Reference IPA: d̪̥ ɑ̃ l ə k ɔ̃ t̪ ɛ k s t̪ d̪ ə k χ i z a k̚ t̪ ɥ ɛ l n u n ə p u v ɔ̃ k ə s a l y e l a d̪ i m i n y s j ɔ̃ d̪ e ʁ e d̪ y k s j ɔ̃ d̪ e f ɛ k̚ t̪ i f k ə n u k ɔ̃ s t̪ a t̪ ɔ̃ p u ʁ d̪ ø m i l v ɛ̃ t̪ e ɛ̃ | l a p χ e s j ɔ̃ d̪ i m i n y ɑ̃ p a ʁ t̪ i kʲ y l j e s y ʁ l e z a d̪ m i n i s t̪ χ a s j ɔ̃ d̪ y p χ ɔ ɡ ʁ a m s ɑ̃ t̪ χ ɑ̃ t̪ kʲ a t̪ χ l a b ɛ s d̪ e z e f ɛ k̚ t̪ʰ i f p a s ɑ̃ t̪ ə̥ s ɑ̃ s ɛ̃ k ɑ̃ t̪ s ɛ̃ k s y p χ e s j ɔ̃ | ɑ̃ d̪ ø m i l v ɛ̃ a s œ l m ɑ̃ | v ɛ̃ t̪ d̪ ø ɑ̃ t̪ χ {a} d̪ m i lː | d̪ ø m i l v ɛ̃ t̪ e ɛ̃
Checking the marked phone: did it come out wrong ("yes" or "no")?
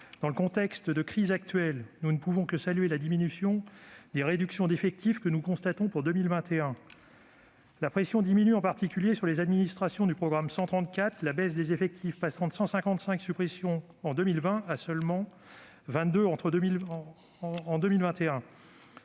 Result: yes